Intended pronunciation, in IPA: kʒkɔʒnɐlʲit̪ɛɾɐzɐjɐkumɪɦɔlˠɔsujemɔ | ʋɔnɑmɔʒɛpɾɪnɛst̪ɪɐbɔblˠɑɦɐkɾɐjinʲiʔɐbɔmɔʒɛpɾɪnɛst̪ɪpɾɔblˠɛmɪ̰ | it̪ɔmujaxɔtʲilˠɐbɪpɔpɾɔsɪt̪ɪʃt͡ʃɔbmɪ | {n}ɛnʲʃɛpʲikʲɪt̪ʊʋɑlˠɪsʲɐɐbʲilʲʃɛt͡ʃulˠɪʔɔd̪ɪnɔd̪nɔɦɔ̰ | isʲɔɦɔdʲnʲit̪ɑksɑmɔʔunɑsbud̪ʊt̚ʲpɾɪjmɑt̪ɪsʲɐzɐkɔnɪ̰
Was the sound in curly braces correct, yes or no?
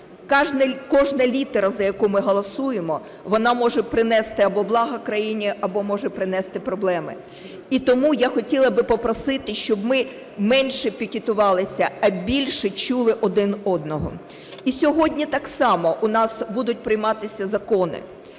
no